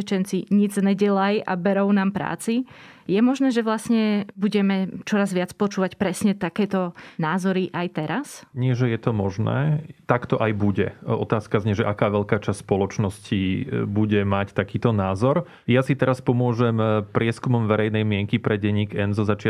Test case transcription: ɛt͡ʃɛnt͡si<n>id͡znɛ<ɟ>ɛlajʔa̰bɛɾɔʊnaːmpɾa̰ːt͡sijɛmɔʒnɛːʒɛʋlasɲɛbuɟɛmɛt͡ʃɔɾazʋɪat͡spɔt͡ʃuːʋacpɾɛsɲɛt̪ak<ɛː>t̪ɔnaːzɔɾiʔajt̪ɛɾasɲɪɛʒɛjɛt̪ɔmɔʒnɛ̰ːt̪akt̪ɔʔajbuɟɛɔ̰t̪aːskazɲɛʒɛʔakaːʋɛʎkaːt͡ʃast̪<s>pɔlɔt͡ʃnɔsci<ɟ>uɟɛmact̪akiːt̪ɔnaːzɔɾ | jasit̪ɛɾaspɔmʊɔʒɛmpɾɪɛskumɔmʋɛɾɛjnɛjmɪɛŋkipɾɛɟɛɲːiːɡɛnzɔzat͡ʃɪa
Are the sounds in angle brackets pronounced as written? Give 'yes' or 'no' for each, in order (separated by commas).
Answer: no, yes, yes, yes, no